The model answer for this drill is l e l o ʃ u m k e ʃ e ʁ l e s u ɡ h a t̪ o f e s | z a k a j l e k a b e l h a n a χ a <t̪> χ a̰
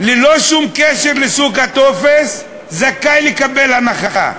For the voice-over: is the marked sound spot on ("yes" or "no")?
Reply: no